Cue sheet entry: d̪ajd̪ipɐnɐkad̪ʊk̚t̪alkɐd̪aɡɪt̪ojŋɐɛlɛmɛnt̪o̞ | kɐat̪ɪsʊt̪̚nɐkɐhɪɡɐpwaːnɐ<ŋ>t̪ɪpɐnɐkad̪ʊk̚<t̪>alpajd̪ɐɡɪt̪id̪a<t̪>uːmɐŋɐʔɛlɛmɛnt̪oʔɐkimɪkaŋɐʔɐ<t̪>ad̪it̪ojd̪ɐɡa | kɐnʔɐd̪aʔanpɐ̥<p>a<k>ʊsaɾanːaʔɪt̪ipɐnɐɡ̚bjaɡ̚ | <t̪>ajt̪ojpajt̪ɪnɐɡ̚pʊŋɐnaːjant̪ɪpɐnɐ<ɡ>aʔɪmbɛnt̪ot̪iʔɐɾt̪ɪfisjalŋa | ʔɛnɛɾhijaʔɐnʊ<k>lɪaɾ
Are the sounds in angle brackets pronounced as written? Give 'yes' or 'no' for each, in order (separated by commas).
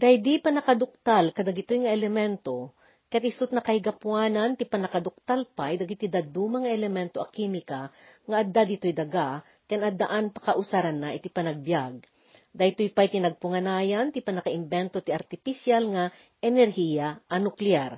no, yes, no, no, no, no, no, no, yes